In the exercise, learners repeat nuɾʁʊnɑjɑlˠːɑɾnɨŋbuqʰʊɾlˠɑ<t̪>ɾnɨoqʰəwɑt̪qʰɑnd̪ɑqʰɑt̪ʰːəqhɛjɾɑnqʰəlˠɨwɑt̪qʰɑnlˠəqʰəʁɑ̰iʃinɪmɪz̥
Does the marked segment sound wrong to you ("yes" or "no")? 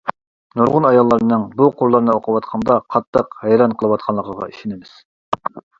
yes